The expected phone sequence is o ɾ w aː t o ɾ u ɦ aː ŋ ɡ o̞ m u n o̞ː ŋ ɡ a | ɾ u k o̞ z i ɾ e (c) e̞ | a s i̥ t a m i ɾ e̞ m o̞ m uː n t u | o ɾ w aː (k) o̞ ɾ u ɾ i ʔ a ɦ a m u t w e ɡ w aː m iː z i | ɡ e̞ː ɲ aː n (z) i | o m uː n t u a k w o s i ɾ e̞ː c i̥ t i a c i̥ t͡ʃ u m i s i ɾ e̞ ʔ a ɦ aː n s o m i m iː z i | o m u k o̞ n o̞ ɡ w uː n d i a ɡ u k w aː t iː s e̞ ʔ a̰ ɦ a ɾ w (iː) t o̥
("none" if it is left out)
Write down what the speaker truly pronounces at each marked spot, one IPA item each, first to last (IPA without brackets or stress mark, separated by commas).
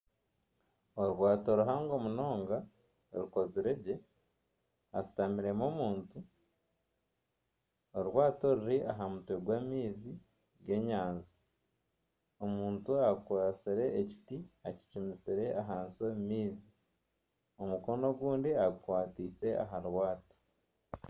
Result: ɟ, t, z, aː